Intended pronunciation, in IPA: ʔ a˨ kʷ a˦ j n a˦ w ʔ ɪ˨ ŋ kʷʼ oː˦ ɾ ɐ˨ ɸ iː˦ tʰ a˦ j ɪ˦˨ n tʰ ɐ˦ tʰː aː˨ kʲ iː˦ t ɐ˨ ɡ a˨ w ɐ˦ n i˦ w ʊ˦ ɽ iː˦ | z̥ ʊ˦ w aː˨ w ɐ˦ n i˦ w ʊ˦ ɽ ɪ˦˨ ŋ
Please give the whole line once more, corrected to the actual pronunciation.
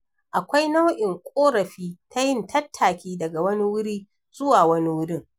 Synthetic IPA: ʔ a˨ kʷ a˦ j n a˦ w ʔ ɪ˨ ŋ kʷʼ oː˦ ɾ ɐ˨ ɸ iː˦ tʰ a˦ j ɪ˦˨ n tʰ ɐ˦ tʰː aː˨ kʲ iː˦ d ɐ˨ ɡ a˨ w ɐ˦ n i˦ w ʊ˦ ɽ iː˦ | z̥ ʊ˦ w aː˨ w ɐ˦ n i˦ w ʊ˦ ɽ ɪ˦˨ ŋ